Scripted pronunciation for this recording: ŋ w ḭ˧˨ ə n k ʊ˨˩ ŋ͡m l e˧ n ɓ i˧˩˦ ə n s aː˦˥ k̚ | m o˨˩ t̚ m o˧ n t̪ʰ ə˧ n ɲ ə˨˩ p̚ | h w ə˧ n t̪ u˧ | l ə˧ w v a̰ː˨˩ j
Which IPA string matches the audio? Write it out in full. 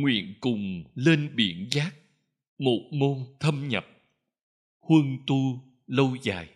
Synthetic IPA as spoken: ŋ w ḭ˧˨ ə n k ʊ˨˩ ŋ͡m l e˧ n ɓ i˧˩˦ ə n z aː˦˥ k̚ | m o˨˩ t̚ m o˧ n t̪ʰ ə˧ m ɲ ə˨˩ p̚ | h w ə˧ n t̪ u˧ | l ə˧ w z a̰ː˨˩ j